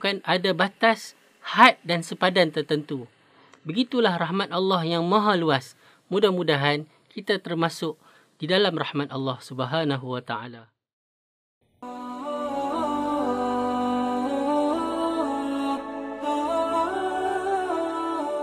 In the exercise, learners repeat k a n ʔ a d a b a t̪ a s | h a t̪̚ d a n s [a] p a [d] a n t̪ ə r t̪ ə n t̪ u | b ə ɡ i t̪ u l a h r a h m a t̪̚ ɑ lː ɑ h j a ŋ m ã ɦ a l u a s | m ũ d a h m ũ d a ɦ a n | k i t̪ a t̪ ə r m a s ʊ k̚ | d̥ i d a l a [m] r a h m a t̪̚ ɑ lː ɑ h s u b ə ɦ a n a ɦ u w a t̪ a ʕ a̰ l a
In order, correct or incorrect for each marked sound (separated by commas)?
incorrect, correct, correct